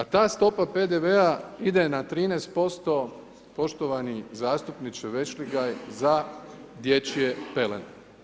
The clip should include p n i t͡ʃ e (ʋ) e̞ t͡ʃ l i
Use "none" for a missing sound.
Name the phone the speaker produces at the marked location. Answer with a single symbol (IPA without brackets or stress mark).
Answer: ʋ